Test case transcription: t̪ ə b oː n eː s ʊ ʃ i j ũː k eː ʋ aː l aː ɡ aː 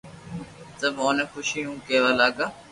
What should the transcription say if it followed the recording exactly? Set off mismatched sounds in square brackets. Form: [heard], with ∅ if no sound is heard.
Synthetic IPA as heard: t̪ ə b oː n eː [x] ʊ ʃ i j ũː k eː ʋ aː l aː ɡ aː